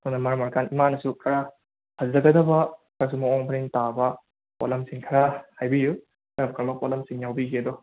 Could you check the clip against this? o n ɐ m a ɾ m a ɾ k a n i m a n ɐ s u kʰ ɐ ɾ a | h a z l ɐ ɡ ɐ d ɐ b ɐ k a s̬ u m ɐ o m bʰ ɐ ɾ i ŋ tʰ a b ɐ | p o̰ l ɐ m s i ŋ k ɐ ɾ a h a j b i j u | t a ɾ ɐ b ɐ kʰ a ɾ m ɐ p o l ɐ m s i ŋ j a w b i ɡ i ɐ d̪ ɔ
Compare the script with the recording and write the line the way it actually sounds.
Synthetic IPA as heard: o n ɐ m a ɾ m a ɾ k a n i m a n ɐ s u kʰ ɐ ɾ a | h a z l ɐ ɡ ɐ d ɐ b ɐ k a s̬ u m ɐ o ŋ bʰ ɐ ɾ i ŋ t a b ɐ | p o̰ l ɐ m s i ŋ kʰ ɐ ɾ a h a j b i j u | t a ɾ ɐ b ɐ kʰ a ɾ m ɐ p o l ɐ m s i ŋ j a w b i ɡ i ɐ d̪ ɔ